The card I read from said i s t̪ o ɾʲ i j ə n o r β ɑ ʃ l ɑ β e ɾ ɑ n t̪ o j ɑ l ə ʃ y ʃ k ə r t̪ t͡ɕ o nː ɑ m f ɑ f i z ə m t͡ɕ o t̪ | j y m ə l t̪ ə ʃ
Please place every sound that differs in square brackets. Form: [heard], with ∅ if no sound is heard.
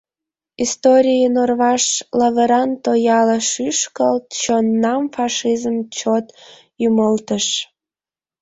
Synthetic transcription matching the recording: i s t̪ o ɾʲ i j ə n o r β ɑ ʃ l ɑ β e ɾ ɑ n t̪ o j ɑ l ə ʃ y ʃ k ə [l] t̪ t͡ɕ o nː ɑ m f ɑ [ʃ] i z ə m t͡ɕ o t̪ | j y m ə l t̪ ə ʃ